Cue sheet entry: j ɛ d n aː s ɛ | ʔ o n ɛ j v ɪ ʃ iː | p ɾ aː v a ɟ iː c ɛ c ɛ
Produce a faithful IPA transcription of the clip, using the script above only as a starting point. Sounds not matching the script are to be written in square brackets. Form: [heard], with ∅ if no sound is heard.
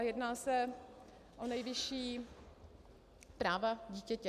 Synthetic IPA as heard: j ɛ d n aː s ɛ | ʔ o n ɛ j v ɪ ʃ iː | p ɾ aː v a ɟ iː c ɛ c ɛ